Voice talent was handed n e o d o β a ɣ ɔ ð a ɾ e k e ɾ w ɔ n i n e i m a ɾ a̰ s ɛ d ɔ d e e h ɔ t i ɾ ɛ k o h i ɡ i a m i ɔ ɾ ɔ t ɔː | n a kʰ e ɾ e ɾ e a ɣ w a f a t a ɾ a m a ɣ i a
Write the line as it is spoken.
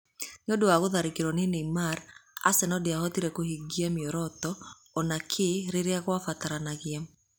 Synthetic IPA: n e o d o w a ɣ o ð a ɾ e k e ɾ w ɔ n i n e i m a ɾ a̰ s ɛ n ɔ d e a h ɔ t i ɾ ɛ k o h i ɡ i a m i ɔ ɾ ɔ t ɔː | n a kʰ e ɾ e ɾ e a ɣ w a f a t a ɾ a n a ɣ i a